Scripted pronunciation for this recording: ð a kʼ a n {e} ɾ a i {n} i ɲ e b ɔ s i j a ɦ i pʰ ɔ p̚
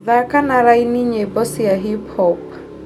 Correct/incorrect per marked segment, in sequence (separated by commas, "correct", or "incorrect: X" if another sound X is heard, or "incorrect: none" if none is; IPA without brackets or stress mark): incorrect: a, correct